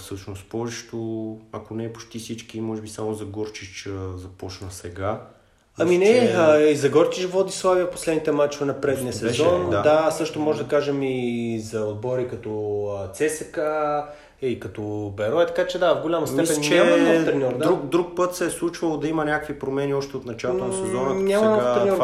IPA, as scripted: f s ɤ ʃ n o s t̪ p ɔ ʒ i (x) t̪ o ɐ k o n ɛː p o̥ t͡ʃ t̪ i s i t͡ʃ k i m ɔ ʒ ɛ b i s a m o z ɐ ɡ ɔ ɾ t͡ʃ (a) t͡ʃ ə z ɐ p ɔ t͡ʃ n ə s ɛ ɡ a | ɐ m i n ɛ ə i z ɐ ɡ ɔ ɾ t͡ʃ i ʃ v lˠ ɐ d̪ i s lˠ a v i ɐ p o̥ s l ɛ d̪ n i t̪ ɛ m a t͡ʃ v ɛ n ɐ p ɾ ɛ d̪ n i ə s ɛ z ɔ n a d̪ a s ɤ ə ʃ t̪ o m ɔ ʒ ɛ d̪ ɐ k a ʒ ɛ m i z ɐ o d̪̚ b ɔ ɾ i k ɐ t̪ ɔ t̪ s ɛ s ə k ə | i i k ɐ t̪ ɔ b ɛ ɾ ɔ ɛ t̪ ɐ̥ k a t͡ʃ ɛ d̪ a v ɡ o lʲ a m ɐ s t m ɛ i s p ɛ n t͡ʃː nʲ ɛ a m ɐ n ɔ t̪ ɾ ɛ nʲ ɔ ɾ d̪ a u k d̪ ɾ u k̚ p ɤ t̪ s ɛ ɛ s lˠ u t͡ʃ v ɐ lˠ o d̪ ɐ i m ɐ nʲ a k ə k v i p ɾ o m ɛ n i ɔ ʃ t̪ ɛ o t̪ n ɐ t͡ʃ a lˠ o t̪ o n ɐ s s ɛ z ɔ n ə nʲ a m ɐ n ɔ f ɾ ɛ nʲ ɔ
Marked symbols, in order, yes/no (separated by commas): no, no